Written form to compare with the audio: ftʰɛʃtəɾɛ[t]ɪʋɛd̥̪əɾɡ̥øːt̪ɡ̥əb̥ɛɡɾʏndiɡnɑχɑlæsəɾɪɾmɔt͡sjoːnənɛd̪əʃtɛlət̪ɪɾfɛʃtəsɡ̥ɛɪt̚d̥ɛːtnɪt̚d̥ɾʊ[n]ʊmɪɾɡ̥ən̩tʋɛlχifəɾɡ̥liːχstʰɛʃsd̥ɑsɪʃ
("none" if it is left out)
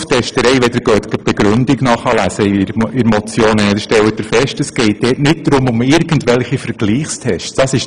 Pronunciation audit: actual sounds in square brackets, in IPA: none, m

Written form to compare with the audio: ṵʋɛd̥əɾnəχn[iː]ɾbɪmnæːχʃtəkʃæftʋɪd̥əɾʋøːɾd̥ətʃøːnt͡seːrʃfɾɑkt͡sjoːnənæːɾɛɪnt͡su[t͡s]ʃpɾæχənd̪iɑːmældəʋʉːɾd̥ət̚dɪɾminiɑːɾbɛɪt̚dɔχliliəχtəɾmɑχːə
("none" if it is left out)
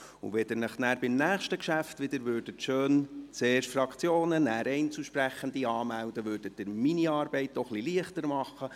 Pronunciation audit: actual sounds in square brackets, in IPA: æː, none

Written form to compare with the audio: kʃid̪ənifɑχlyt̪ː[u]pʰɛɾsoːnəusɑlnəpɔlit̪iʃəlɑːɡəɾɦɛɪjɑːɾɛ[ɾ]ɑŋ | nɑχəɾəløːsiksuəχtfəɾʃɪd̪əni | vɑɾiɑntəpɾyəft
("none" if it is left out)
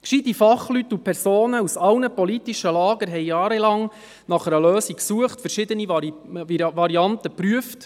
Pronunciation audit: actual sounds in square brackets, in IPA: u, l

